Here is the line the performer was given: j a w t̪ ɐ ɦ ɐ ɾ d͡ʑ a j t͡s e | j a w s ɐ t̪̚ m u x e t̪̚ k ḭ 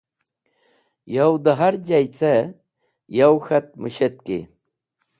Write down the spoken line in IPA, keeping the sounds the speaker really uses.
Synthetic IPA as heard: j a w d̪ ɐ ɦ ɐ ɾ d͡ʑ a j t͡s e | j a w x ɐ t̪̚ m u ɕ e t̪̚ k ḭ

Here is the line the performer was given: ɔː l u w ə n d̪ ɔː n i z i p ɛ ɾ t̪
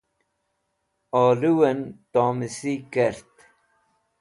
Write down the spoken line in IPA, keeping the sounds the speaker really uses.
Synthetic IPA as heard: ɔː l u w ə n t̪ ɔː m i s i k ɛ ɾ t̪

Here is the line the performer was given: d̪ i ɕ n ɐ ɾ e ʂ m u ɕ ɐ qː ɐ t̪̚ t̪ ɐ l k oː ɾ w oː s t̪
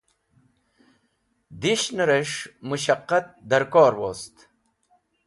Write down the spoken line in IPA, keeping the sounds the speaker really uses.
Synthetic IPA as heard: d̪ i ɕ n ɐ ɾ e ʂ m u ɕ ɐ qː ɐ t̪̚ d̪ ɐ ɾ k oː ɾ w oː s t̪

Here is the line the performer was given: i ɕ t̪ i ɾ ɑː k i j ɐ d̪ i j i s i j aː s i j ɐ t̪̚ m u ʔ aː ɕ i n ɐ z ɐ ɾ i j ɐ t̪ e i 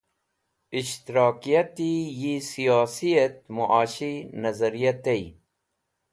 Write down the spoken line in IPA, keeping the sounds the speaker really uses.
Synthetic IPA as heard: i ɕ t̪ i ɾ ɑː k i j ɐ t̪ i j i s i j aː s i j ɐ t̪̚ m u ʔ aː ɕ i n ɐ z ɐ ɾ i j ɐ t̪ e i

